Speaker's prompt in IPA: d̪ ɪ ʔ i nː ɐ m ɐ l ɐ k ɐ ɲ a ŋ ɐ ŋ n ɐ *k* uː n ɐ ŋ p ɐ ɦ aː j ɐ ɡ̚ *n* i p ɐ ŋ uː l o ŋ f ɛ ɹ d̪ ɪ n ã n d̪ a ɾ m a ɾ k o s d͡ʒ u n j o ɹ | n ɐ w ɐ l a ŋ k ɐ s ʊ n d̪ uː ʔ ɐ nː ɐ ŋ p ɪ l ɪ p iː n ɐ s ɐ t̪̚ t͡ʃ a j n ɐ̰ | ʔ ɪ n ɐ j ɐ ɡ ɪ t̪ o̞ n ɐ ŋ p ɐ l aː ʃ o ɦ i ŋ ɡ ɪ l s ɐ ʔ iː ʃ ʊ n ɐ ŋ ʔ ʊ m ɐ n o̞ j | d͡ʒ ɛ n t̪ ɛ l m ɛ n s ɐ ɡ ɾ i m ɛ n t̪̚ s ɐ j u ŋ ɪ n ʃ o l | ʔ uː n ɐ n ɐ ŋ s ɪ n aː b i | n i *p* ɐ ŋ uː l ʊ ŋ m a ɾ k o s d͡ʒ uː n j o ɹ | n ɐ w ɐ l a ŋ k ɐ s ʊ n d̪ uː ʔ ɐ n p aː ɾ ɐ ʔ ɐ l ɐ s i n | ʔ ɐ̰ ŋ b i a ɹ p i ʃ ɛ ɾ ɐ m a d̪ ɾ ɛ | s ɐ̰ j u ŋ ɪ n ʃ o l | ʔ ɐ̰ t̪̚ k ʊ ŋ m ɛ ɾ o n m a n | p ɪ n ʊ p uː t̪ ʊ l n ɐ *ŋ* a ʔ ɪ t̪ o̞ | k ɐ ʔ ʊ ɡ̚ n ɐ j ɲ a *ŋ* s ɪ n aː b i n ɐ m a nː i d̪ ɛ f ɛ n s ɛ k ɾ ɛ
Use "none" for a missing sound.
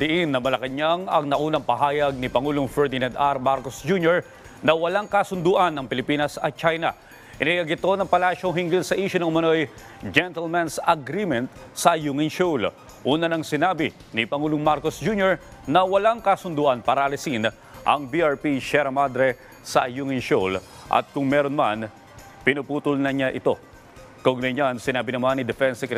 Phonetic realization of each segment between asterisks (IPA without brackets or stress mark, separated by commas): ʔ, n, p, ɲ, n